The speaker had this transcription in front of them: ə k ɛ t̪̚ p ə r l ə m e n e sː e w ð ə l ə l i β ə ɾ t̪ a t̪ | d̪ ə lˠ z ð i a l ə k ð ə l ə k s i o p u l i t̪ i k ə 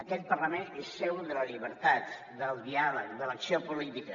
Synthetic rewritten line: ə k ɛ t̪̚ p ə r l ə m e n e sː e w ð ə l ə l i β ə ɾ t̪ a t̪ | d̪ ə lˠ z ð i a l ə k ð ə l ə k s i o p u l i t̪ i k ə